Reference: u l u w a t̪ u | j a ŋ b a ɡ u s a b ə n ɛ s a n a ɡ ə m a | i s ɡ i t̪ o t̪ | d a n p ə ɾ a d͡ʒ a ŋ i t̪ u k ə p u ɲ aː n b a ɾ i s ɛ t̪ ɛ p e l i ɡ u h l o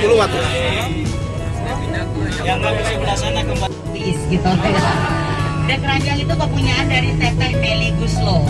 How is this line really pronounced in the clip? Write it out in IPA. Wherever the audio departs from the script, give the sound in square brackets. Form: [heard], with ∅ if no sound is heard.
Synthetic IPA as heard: u l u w a t̪ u | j a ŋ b a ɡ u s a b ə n [a] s a n a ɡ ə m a | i s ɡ i t̪ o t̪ | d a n [k] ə ɾ a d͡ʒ a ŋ i t̪ u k ə p u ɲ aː n [d] a ɾ i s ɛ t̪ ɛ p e l i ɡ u [s] l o

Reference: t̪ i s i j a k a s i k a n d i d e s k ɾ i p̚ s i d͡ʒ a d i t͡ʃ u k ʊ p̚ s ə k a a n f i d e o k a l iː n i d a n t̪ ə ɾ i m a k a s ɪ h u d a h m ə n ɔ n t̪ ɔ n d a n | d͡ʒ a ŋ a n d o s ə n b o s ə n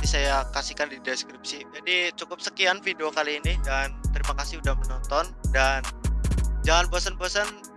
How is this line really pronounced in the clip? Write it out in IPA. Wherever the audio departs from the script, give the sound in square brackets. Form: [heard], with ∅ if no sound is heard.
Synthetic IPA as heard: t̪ i s [a] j a k a s i k a n d i d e s k ɾ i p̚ s i d͡ʒ a d i t͡ʃ u k ʊ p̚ s ə k [i] a n f i d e o k a l iː n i d a n t̪ ə ɾ i m a k a s ɪ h u d a h m ə n ɔ n t̪ ɔ n d a n | d͡ʒ a ŋ a n [b] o s ə n b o s ə n

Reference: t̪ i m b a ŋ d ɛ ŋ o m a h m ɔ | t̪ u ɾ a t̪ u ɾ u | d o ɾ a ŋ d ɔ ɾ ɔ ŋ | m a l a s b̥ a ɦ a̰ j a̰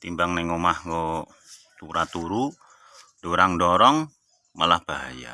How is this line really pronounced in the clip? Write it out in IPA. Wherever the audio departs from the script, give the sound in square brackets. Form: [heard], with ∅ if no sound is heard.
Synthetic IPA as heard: t̪ i m b a ŋ [n] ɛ ŋ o m a h [ŋ] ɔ | t̪ u ɾ a t̪ u ɾ u | d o ɾ a ŋ d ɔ ɾ ɔ ŋ | m a l a [h] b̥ a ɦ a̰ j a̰

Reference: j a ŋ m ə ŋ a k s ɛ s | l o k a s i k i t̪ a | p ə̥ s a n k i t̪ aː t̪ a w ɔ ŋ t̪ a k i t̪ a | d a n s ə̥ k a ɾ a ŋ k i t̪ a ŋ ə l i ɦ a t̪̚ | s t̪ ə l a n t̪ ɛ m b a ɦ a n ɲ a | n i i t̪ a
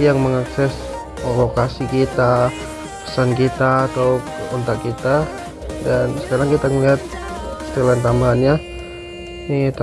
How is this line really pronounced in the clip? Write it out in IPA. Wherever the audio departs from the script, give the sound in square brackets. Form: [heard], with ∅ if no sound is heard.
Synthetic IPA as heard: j a ŋ m ə ŋ a k s ɛ s | l o k a s i k i t̪ a | p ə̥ s a n k i t̪ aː t̪ a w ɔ [n] t̪ a k i t̪ a | d a n s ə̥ k a ɾ a ŋ k i t̪ a ŋ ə l i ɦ a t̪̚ | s t̪ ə l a n t̪ [a] m b a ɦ a n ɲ a | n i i t̪ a

